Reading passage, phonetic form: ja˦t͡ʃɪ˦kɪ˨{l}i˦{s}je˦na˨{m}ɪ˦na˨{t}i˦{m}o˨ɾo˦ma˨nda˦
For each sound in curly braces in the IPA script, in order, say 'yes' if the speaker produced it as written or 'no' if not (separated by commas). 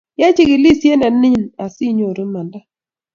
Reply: yes, yes, no, no, no